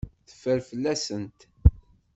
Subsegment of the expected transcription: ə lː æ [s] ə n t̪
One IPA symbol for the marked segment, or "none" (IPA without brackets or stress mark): s